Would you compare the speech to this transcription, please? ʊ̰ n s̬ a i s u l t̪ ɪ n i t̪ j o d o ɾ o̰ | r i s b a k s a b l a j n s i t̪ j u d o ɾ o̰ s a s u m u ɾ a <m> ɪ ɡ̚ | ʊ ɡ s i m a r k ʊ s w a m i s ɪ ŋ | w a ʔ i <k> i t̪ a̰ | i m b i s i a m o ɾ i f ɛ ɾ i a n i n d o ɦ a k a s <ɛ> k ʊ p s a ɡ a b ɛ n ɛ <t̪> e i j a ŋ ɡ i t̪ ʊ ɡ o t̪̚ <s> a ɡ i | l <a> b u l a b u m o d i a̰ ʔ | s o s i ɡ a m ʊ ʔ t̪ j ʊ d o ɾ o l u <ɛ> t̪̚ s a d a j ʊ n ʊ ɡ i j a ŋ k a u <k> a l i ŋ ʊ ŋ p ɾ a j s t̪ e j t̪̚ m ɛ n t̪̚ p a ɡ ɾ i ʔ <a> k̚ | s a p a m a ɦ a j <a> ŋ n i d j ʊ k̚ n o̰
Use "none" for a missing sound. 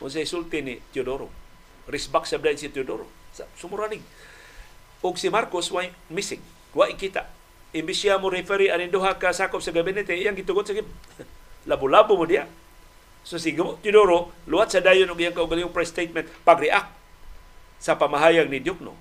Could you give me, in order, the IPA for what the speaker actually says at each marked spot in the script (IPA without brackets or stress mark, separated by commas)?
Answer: n, k, a, t̪, s, a, a, ɡ, a, a